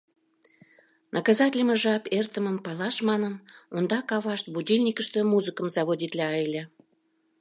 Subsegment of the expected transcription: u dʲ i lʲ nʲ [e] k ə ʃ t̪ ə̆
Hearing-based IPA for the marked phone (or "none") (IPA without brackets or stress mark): i